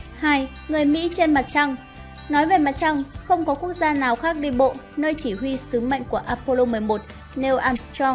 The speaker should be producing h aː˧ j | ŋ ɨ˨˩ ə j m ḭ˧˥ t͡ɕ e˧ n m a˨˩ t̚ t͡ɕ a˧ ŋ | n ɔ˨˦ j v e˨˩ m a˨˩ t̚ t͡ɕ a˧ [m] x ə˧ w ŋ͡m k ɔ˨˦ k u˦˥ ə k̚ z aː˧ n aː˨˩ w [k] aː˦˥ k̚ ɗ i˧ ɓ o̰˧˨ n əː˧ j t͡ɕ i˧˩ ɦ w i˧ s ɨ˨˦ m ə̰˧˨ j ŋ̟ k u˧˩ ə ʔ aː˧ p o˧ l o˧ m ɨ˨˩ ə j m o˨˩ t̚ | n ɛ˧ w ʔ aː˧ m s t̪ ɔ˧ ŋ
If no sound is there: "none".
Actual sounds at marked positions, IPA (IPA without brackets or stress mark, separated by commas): ŋ, x